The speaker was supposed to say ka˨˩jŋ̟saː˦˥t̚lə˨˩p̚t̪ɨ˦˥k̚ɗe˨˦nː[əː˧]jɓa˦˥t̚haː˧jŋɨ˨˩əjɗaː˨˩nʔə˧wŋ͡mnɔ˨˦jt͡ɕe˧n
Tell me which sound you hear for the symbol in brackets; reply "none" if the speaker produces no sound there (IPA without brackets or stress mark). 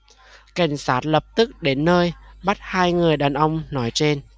əː˧